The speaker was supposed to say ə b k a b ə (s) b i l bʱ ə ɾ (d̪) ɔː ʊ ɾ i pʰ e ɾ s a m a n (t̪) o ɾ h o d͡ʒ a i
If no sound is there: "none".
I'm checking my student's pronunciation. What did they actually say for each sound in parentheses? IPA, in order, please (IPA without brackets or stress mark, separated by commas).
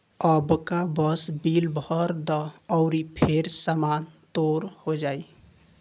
s, d̪, t̪